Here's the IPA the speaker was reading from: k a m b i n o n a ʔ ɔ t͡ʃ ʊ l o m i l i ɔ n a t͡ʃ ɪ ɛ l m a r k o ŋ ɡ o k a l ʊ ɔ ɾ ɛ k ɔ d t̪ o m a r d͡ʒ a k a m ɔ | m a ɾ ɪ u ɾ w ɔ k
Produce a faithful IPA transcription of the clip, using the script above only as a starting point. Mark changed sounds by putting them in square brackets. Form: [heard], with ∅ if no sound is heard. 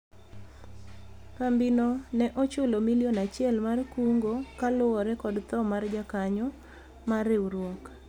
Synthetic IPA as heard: k a m b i n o n [ɛ] ʔ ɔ t͡ʃ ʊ l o m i l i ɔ n a t͡ʃ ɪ ɛ l m a r k [u] ŋ ɡ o k a l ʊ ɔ ɾ ɛ k ɔ d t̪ [ɔ] m a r d͡ʒ a k a [ɲ] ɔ | m a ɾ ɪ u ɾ w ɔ k

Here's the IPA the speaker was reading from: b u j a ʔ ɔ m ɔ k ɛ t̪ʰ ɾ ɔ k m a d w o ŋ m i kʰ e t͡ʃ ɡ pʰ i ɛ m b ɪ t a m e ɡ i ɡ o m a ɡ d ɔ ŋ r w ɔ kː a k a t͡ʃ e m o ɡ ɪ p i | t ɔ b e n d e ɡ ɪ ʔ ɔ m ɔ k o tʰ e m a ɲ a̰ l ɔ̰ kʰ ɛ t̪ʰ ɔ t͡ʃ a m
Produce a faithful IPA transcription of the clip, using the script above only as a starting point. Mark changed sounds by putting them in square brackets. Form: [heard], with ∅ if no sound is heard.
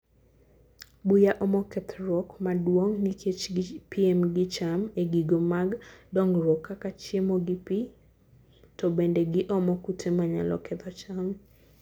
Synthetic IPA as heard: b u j a ʔ ɔ m ɔ k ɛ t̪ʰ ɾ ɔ k m a d w o ŋ [n] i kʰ e t͡ʃ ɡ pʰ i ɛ m [ɡ] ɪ [t͡ʃ] a m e ɡ i ɡ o m a ɡ d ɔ ŋ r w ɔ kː a k a t͡ʃ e m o ɡ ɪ p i | t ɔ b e n d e ɡ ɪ ʔ ɔ m ɔ k [u] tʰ e m a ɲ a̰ l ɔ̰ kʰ ɛ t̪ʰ ɔ t͡ʃ a m

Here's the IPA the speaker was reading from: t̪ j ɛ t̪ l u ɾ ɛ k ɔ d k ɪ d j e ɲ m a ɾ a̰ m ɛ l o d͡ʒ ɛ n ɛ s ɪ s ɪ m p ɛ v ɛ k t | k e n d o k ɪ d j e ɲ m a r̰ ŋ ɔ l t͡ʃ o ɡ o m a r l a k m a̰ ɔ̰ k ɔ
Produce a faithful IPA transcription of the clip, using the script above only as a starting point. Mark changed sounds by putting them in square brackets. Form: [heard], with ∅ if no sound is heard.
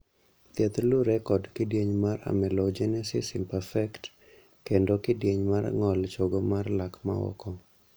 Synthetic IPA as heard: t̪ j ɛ t̪ l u ɾ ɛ k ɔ d k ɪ d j e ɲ m a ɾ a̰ m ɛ l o d͡ʒ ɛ n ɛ s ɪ s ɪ m p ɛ [f] ɛ k t | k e n d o k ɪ d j e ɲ m a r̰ ŋ ɔ l t͡ʃ o ɡ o m a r l a k m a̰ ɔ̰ k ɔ

